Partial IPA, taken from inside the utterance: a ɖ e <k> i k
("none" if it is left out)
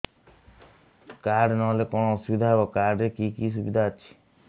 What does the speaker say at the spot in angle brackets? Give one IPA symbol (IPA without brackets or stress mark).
k